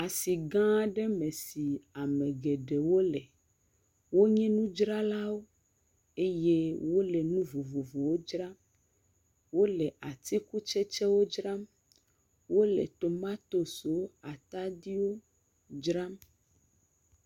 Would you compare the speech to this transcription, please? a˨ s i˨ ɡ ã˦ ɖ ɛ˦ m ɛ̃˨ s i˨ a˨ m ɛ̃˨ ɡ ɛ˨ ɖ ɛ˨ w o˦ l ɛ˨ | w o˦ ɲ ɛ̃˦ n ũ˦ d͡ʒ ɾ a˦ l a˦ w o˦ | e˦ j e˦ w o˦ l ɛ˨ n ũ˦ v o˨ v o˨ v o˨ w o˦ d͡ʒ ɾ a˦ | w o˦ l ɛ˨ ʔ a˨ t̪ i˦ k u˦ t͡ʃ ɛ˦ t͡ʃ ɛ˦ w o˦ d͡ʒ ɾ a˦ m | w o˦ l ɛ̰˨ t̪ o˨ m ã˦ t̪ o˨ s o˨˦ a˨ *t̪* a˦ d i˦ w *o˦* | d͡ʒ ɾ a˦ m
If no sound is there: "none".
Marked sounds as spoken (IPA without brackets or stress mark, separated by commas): t̪, o˦